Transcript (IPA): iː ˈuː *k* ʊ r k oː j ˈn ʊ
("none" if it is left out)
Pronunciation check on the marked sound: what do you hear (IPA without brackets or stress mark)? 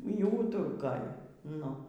t